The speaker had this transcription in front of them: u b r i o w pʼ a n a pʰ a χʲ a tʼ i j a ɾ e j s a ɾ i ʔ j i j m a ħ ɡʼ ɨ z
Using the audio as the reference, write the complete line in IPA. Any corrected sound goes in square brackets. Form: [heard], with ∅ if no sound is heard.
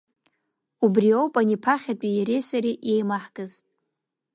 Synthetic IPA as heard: u b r i o w pʼ a n [i] pʰ a χʲ a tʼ i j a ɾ e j s a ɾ i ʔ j [e] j m a ħ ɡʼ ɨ z